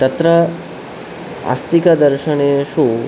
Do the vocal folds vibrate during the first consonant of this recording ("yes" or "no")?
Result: no